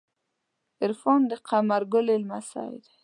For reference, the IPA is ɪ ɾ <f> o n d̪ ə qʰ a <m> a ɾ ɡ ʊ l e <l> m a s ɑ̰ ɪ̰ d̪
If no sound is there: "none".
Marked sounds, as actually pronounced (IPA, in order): f, m, l

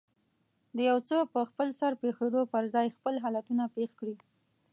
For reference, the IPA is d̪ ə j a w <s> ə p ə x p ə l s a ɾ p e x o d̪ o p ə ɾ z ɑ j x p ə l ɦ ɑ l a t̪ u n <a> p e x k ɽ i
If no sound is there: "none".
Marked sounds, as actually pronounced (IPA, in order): t͡s, a

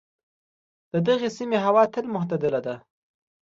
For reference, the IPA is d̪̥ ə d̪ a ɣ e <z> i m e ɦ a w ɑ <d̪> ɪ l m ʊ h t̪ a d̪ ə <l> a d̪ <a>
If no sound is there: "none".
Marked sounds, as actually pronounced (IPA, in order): s, t̪, l, a

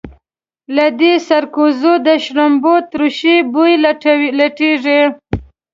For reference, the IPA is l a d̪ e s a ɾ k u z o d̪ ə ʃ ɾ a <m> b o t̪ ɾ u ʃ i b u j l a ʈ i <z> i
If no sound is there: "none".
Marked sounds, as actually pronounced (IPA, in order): m, ʐ

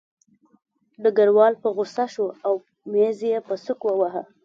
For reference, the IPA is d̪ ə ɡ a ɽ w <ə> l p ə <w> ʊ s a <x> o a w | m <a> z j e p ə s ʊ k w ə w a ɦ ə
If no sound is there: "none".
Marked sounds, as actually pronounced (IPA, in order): ɑ, ɣ, ʃ, e

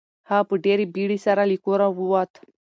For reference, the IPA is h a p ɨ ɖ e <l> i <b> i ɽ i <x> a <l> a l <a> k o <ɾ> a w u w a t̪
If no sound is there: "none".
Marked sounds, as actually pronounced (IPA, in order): ɾ, b, s, ɾ, i, ɾ

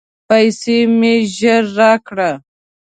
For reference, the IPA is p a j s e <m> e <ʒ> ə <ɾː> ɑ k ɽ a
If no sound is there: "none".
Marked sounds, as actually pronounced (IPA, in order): m, ʒ, ɾː

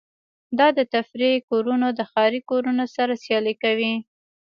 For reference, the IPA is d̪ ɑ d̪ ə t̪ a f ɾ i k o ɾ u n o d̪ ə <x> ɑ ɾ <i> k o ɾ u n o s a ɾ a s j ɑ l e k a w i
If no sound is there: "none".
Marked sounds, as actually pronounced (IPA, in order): x, i

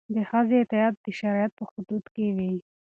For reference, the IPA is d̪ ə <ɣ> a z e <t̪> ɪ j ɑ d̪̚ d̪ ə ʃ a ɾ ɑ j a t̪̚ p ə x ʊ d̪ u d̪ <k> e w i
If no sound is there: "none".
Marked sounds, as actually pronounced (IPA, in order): x, t̪, k

